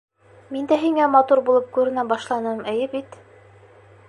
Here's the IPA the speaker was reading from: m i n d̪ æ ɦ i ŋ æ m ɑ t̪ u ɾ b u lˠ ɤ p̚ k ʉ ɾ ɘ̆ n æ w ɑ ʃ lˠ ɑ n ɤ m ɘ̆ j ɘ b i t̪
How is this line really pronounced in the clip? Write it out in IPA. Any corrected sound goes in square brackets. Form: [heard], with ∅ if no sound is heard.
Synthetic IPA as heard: m i n d̪ æ ɦ i ŋ æ m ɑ t̪ u ɾ b u lˠ ɤ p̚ k ʉ ɾ ɘ̆ n æ [b] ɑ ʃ lˠ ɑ n ɤ m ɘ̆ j ɘ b i t̪